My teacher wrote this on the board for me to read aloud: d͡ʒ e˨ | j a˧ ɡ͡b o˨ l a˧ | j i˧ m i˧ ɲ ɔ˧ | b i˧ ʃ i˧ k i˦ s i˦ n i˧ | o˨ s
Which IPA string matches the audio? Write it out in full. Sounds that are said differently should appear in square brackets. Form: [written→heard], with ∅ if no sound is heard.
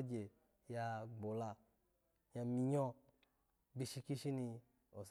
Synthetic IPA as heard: d͡ʒ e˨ | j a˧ ɡ͡b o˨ l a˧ | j [i˧→a˧] m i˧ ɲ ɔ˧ | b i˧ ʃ i˧ k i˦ [s→ʃ] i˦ n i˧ | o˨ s